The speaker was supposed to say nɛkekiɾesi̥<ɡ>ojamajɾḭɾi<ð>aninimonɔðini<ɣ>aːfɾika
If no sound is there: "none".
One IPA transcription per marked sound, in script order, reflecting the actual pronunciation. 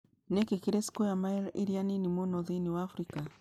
k, none, w

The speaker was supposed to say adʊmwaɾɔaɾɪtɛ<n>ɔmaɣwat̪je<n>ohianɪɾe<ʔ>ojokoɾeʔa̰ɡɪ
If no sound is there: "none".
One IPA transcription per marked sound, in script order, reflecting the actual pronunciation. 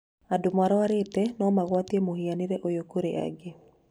n, m, ʔ

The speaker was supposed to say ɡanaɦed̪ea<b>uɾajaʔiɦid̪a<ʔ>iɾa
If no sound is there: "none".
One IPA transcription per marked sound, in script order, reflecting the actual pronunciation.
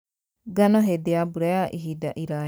b, ʔ

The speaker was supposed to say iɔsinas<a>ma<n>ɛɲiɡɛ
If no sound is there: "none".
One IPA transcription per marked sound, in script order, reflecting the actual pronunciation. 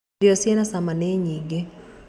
a, n

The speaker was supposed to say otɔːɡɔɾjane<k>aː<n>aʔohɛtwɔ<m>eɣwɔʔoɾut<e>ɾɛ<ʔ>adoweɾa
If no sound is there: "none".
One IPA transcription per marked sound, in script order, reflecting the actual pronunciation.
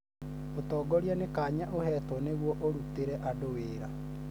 k, ɲ, n, e, ʔ

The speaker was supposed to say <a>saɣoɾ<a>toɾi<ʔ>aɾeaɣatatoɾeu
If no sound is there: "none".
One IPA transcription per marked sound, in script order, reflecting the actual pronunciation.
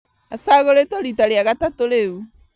a, e, t

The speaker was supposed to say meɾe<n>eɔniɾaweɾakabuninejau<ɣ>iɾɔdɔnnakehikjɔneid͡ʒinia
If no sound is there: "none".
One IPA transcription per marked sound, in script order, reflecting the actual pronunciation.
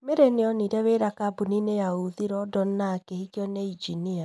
n, ð

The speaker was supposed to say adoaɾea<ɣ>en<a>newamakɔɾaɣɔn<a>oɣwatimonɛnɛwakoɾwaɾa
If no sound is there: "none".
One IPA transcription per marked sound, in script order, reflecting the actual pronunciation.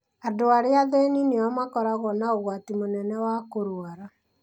ð, i, a

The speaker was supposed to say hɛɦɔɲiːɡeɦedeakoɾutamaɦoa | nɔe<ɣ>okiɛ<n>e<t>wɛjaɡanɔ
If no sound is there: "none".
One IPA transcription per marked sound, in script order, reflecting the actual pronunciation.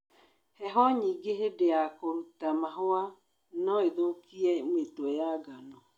ð, m, t

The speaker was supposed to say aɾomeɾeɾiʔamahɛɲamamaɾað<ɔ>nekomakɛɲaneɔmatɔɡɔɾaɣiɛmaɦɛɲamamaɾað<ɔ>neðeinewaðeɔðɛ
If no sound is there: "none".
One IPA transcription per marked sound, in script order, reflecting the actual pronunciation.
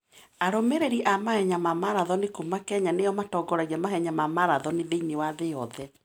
ɔ, ɔ

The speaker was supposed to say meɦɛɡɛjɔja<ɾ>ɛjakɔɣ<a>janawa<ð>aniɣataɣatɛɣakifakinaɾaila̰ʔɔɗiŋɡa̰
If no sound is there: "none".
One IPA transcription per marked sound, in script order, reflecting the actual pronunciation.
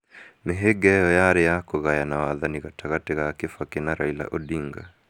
ɾ, a, ð

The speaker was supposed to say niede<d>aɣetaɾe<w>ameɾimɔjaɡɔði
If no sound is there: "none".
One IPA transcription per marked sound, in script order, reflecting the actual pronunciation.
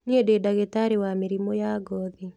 d, w

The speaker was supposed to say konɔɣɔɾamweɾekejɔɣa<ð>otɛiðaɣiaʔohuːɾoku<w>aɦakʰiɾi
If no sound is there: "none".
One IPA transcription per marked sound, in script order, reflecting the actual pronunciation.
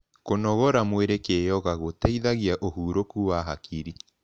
ɣ, w

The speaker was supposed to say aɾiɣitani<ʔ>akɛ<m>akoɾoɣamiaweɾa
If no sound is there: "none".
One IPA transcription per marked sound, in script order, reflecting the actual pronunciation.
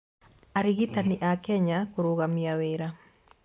ʔ, ɲ

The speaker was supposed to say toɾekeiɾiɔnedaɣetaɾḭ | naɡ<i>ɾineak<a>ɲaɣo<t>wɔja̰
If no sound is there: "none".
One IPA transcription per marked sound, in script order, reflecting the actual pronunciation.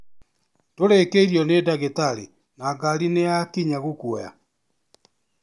a, i, k

